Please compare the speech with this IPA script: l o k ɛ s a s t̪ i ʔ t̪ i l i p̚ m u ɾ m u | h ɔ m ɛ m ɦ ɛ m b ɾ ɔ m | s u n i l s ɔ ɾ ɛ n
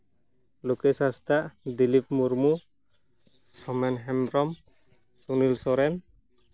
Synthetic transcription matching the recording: l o k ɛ s a s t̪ a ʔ d̪ i l i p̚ m u ɾ m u | s ɔ m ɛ n ɦ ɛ m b ɾ ɔ m | s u n i l s ɔ ɾ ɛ n